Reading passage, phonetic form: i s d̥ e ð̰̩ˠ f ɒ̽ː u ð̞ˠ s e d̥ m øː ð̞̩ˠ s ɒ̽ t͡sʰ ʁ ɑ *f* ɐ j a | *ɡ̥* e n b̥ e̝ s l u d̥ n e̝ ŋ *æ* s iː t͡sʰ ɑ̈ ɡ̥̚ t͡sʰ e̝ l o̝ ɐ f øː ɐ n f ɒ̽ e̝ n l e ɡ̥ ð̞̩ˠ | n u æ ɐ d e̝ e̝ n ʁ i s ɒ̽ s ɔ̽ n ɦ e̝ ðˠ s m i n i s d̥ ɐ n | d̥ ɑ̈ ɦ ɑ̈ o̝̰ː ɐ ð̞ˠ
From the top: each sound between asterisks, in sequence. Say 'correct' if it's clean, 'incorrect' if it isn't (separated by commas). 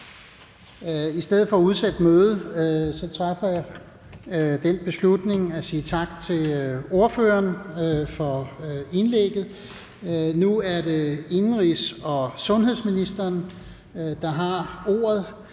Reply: correct, incorrect, correct